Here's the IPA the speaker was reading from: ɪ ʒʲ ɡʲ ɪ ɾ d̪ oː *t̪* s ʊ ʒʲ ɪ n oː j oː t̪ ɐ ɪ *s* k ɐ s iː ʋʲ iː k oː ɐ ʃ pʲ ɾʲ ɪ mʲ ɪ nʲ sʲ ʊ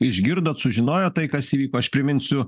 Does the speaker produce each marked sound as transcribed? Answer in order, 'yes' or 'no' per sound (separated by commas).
yes, no